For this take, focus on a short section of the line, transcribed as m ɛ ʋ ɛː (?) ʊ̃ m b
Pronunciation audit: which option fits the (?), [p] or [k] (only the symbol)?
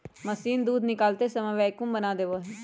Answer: k